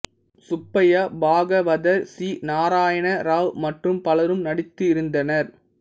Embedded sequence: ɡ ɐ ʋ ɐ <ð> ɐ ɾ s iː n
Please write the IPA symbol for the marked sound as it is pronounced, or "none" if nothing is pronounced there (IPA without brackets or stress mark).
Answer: ð